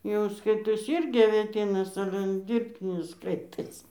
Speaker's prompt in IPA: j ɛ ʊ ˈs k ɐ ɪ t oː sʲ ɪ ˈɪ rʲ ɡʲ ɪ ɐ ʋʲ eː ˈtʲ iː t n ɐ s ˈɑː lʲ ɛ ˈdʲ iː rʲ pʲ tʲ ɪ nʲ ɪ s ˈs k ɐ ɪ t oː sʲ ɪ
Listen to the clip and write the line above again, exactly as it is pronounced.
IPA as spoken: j ɛ ʊ ˈs k ɐ ɪ t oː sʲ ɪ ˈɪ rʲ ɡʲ ɪ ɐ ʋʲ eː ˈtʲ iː n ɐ s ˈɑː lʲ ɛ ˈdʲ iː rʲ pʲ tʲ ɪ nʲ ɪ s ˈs k ɐ ɪ t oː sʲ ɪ